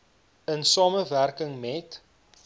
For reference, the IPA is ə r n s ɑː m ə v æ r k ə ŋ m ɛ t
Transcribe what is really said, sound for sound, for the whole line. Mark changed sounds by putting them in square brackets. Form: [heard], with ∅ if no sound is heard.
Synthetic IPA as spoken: ə [∅] n s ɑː m ə v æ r k ə ŋ m ɛ t